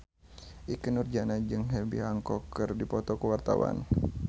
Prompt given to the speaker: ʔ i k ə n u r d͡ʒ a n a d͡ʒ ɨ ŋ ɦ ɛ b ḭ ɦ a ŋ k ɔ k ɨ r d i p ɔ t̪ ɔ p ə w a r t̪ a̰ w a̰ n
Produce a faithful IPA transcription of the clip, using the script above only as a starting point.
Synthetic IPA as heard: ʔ i k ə n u r d͡ʒ a n a d͡ʒ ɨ ŋ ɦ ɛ b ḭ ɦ a ŋ k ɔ k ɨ r d i p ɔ t̪ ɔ k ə w a r t̪ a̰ w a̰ n